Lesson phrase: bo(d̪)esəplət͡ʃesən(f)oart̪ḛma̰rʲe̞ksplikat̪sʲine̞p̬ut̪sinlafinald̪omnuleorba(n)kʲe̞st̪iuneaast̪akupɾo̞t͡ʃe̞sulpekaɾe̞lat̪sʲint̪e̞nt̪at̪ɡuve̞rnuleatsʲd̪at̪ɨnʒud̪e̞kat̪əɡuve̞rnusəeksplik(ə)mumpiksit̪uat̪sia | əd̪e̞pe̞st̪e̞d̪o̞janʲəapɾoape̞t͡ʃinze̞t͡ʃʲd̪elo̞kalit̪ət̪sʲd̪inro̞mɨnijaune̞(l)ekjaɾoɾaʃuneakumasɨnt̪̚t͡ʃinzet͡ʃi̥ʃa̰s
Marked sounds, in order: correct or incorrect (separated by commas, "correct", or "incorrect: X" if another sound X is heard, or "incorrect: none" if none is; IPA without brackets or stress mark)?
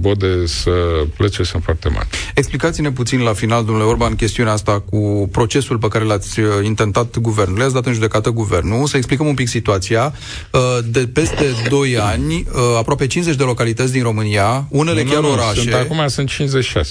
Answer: correct, correct, correct, correct, correct